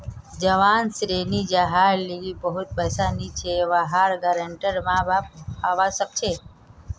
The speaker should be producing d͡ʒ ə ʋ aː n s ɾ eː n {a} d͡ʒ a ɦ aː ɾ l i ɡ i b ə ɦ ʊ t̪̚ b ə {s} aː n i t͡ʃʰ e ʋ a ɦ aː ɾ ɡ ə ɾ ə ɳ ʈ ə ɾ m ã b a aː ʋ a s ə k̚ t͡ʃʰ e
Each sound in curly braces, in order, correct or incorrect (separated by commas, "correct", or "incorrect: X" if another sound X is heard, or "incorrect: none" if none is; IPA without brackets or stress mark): incorrect: i, correct